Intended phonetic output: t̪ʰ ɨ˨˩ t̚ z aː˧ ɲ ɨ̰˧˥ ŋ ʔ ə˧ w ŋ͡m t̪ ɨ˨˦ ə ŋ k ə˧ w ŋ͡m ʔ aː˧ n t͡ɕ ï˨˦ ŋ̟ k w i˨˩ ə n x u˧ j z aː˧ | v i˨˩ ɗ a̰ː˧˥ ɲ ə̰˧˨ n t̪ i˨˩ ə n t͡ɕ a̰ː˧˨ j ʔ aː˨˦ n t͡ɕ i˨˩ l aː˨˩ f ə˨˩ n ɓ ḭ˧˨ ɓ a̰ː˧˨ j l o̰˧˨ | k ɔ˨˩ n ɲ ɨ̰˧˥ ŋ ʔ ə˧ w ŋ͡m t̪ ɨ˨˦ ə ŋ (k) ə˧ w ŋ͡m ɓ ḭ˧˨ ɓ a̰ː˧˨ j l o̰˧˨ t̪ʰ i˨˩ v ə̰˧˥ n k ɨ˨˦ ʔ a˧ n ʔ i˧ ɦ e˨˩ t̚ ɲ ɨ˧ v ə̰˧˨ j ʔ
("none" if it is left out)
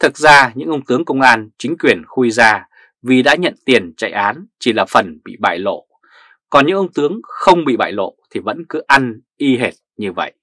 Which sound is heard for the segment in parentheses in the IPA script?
x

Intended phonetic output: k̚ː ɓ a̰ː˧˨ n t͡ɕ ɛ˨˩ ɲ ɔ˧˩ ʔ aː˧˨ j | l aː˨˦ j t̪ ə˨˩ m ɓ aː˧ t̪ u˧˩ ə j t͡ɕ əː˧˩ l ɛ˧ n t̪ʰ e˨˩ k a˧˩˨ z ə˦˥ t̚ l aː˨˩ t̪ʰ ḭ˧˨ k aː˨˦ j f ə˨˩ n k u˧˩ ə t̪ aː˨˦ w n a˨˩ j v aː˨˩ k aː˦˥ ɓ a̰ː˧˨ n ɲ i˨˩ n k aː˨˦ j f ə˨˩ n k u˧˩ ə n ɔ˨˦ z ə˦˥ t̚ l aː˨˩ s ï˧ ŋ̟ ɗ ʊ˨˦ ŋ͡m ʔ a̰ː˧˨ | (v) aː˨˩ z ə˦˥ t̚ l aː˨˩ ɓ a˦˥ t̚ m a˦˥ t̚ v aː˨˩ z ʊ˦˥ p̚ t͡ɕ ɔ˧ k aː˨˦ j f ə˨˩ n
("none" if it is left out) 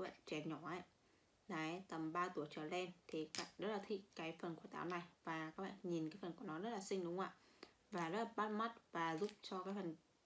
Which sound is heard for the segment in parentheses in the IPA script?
v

